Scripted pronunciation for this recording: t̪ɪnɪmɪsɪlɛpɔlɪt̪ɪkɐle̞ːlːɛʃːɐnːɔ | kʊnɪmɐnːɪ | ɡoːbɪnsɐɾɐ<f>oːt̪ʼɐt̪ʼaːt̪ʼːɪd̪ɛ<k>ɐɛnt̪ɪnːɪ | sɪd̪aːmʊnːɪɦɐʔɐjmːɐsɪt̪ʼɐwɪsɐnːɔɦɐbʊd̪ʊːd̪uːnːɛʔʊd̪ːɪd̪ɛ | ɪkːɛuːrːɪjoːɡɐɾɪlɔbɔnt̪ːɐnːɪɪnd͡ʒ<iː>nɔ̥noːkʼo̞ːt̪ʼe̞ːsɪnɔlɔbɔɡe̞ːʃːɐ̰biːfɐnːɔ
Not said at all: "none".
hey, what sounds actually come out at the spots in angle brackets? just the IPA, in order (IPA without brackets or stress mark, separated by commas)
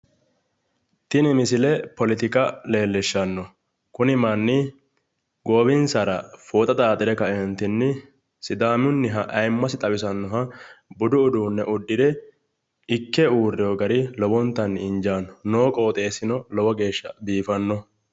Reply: f, k, aː